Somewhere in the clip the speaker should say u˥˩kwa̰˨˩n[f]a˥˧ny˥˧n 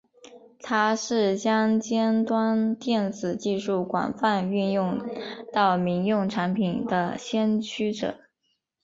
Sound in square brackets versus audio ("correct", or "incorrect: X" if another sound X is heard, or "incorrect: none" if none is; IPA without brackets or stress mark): correct